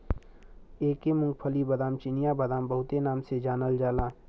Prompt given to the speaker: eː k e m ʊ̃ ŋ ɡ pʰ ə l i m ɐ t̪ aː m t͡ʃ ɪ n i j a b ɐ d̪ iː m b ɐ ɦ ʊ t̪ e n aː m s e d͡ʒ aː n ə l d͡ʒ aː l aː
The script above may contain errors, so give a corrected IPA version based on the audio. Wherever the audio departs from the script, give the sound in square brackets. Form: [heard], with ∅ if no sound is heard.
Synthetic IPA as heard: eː k e m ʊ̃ ŋ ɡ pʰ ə l i [b] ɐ [d̪] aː m t͡ʃ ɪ n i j a b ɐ d̪ [aː] m b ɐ ɦ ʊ t̪ e n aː m s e d͡ʒ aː n ə l d͡ʒ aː l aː